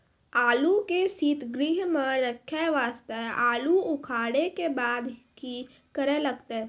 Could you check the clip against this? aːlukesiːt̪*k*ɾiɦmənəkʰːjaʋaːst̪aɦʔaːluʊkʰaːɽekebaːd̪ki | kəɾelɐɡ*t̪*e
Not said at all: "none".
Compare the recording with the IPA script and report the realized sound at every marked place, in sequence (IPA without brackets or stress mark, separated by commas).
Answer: ɡ, t̪